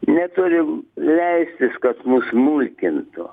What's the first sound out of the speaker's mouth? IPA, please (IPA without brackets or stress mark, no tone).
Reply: nʲ